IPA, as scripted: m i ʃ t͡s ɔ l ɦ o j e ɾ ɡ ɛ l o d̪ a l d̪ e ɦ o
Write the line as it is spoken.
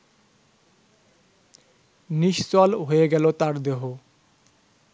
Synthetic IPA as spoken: n i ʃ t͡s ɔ l ɦ o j e ɡ ɛ l o t̪ a ɾ d̪ e ɦ o